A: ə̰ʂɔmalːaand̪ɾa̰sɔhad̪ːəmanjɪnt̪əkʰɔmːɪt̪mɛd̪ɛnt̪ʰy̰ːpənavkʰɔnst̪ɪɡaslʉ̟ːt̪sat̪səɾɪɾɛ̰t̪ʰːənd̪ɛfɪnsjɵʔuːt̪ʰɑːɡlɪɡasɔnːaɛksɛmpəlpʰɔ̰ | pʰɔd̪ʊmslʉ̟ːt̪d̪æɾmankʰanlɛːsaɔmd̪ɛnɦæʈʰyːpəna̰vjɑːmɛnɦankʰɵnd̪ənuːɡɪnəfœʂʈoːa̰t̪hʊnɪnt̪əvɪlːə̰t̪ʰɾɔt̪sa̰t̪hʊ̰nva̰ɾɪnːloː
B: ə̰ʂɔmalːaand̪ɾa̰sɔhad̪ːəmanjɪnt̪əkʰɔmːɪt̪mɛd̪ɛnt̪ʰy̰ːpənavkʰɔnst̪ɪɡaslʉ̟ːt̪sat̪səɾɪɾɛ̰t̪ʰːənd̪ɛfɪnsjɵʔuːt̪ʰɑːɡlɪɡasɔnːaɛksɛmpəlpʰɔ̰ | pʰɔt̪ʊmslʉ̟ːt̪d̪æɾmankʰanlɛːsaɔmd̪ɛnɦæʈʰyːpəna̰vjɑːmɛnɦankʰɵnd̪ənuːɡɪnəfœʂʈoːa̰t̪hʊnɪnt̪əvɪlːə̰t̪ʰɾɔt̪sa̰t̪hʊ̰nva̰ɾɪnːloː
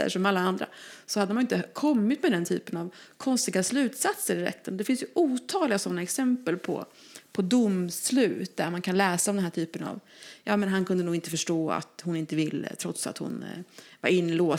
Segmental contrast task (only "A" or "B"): A